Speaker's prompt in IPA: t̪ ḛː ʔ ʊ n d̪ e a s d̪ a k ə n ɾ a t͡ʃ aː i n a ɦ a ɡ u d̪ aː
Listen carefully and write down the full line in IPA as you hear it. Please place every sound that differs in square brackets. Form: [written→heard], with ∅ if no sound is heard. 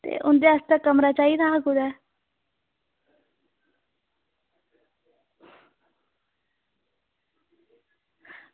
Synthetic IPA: t̪ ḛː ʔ ʊ n d̪ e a s [d̪→t̪] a k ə [n→m] ɾ a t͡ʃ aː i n a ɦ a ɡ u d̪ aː

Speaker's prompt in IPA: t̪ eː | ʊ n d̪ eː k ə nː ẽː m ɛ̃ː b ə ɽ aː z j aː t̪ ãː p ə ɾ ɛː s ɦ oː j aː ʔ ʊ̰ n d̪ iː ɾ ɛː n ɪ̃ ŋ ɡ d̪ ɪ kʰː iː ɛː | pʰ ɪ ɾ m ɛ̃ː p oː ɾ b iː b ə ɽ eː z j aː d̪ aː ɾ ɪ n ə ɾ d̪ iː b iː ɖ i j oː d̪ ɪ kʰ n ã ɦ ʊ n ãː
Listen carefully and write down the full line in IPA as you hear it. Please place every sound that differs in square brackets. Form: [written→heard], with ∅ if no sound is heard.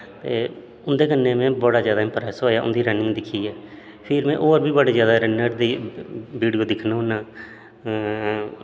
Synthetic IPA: t̪ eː | ʊ n d̪ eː k ə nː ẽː m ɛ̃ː b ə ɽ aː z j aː [t̪→d̪] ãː p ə ɾ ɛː s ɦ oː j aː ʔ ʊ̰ n d̪ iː ɾ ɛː n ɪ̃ ŋ ɡ d̪ ɪ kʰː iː ɛː | pʰ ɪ ɾ m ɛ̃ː [p→ʔ] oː ɾ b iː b ə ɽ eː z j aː d̪ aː ɾ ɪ n ə ɾ d̪ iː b iː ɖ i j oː d̪ ɪ kʰ n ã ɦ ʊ n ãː

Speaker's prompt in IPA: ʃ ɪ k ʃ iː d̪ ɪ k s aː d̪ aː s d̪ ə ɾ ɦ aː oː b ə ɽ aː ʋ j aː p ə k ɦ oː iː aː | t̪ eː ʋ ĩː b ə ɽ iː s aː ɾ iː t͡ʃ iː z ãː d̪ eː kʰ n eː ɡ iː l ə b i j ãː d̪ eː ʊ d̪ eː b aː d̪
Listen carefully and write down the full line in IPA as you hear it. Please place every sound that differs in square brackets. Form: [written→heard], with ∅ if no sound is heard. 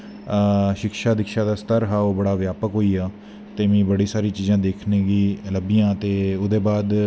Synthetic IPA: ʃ ɪ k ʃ [iː→aː] d̪ ɪ k [s→ʃ] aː d̪ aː s [d̪→t̪] ə ɾ ɦ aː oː b ə ɽ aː ʋ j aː p ə k ɦ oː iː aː | t̪ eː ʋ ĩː b ə ɽ iː s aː ɾ iː t͡ʃ iː z ãː d̪ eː kʰ n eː ɡ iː l ə b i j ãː [d̪→t̪] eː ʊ d̪ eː b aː d̪

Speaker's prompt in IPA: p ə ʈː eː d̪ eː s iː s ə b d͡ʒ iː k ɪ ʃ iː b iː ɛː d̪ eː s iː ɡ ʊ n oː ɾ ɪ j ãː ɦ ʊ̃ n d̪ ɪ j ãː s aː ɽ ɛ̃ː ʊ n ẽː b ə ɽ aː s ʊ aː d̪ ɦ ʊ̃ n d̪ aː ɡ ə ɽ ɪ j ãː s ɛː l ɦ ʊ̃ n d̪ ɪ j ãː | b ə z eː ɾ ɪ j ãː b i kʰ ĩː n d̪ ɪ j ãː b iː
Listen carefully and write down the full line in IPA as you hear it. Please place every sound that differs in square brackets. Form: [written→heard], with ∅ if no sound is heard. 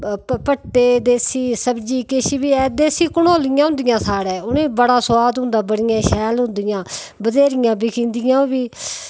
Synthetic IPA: p ə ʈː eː d̪ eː s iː s ə b d͡ʒ iː k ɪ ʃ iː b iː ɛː d̪ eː s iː [ɡ→k] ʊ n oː [ɾ→l] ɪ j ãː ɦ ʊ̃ n d̪ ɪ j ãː s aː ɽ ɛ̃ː ʊ n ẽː b ə ɽ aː s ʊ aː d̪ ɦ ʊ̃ n d̪ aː [ɡ→b] ə ɽ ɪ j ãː [s→ʃ] ɛː l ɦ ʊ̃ n d̪ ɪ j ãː | b ə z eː ɾ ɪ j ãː b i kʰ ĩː n d̪ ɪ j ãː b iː

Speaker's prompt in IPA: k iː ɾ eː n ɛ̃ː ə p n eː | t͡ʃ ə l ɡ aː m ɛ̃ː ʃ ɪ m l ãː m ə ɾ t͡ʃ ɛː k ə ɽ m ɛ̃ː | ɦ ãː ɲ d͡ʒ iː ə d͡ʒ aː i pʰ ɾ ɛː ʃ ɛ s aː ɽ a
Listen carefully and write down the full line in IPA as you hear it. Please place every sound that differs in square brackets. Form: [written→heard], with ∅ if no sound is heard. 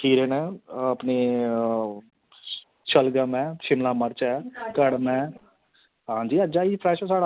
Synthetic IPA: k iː ɾ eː n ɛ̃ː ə p n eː | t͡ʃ ə l ɡ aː m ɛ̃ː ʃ ɪ m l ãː m ə ɾ t͡ʃ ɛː k ə ɽ m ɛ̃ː | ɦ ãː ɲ d͡ʒ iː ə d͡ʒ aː i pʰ ɾ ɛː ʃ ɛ s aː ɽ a

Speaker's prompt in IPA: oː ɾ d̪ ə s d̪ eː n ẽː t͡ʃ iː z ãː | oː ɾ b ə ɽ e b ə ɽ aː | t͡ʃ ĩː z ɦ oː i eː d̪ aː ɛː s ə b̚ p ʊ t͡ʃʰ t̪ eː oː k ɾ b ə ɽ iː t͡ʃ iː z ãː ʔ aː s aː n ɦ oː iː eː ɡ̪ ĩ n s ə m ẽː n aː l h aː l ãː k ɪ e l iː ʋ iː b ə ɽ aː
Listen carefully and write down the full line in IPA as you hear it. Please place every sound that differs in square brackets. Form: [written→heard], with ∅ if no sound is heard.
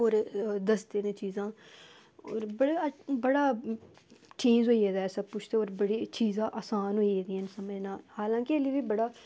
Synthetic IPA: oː ɾ d̪ ə s d̪ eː n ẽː t͡ʃ iː z ãː | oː ɾ b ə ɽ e b ə ɽ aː | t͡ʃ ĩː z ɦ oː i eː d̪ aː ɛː s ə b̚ p ʊ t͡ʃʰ t̪ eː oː [k→∅] ɾ b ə ɽ iː t͡ʃ iː z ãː ʔ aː s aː n ɦ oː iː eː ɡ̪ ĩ n s ə m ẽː n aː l h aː l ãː k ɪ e l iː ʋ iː b ə ɽ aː

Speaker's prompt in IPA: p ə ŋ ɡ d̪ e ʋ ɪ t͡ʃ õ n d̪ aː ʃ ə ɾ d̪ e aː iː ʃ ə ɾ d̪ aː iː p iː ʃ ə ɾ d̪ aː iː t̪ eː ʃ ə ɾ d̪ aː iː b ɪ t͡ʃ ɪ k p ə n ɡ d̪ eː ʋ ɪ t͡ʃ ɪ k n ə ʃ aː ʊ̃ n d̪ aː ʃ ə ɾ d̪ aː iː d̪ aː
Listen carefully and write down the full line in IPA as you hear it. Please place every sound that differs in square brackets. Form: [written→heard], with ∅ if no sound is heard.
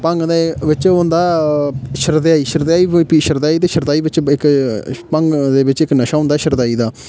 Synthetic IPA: p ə ŋ ɡ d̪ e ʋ ɪ t͡ʃ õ n d̪ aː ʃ ə ɾ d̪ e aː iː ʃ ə ɾ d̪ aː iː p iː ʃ ə ɾ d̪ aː iː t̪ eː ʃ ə ɾ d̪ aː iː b ɪ t͡ʃ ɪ k p ə [n→ŋ] ɡ d̪ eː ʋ ɪ t͡ʃ ɪ k n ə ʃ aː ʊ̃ n d̪ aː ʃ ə ɾ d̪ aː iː d̪ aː

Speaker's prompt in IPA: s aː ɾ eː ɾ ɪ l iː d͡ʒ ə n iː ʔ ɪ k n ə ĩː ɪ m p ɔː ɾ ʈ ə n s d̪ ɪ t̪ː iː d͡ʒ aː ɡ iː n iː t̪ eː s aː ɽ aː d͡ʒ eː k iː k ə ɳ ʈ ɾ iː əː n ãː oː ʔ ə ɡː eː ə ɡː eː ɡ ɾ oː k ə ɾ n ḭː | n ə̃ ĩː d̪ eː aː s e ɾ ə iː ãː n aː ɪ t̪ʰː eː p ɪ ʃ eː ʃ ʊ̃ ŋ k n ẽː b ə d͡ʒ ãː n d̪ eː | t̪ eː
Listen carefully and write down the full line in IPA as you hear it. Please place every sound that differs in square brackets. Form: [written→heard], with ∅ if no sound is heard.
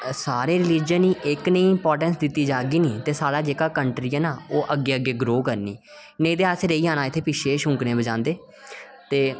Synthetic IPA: s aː ɾ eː ɾ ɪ l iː d͡ʒ ə n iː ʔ ɪ k n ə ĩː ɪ m p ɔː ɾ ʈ ə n s d̪ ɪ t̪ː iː d͡ʒ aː ɡ iː n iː t̪ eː s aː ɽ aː d͡ʒ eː k [iː→aː] k ə ɳ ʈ ɾ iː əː n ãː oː ʔ ə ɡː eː ə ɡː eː ɡ ɾ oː k ə ɾ n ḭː | n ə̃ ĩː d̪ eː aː s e ɾ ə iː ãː n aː ɪ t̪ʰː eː p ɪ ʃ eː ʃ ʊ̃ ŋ k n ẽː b ə d͡ʒ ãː n d̪ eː | t̪ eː

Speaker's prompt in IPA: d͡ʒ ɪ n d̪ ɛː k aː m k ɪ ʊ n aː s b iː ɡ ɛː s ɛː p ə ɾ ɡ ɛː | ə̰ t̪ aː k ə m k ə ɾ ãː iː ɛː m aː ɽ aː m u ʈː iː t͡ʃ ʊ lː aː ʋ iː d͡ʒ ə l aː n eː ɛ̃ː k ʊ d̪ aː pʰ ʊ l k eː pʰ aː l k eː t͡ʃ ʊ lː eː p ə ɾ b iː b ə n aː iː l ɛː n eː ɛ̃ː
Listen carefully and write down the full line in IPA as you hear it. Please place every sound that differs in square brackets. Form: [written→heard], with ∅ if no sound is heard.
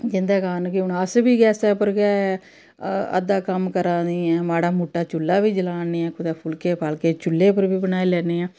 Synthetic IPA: d͡ʒ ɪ n d̪ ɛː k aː [m→n] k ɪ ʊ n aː s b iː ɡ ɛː s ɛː p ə ɾ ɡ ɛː | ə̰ [t̪→d̪] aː k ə m k ə ɾ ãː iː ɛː m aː ɽ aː m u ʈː [iː→aː] t͡ʃ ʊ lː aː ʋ iː d͡ʒ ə l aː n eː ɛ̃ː k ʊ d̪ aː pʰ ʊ l k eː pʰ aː l k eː t͡ʃ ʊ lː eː p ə ɾ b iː b ə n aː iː l ɛː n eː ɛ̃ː

